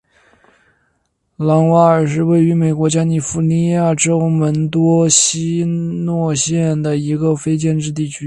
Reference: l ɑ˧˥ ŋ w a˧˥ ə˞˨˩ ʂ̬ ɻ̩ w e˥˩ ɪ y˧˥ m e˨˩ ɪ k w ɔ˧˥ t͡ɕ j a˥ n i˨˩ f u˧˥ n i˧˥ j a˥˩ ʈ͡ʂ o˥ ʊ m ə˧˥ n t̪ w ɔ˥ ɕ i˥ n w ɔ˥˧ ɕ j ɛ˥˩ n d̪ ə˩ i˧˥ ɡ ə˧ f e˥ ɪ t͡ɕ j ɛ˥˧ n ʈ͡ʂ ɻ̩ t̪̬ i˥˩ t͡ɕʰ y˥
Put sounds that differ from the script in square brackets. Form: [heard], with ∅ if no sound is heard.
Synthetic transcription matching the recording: l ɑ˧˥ ŋ w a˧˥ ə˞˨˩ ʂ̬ ɻ̩ w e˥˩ ɪ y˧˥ m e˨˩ ɪ k w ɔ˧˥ t͡ɕ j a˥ n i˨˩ f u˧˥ n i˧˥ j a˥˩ ʈ͡ʂ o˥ ʊ m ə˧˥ n t̪ w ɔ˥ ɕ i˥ n w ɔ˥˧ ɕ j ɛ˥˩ n d̪ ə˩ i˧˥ ɡ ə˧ f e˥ ɪ t͡ɕ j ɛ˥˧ n ʈ͡ʂ ɻ̩ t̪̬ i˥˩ t͡ɕʰ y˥